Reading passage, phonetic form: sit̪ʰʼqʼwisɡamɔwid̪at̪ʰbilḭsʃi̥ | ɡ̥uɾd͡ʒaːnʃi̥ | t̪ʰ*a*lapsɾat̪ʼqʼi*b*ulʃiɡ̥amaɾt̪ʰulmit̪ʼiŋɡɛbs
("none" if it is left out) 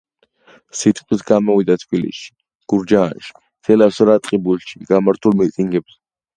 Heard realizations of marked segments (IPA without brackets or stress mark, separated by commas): ɛ, b